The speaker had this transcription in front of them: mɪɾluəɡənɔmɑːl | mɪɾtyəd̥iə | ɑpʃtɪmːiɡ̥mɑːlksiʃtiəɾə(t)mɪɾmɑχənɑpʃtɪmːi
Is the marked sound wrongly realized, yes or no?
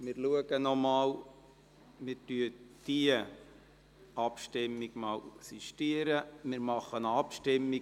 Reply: yes